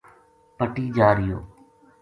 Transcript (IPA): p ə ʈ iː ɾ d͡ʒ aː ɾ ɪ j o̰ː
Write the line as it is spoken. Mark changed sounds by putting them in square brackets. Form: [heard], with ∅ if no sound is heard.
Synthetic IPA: p ə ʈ iː [∅] d͡ʒ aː ɾ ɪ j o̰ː